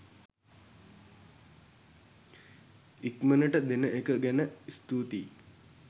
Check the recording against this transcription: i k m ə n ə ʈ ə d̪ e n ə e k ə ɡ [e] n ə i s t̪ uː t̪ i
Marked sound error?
yes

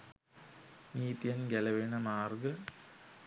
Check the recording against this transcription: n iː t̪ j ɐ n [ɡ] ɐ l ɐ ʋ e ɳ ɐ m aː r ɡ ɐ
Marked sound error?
no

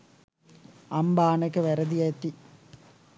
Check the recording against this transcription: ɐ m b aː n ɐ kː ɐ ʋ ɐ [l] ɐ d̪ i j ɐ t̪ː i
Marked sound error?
yes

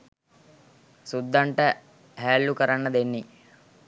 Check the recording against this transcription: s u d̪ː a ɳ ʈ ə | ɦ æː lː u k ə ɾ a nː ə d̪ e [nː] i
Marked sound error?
no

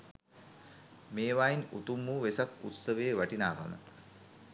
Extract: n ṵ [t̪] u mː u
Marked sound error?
no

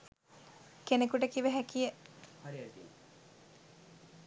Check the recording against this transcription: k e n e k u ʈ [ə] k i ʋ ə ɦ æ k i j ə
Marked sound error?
no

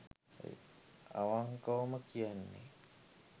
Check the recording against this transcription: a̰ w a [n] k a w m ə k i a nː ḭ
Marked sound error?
yes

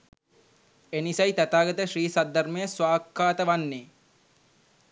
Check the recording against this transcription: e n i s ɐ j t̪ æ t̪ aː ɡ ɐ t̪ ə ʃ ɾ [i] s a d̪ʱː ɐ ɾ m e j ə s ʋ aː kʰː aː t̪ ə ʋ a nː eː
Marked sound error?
yes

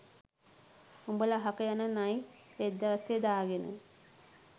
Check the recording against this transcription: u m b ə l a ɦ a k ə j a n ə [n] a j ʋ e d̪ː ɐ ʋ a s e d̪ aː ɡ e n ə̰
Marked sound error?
no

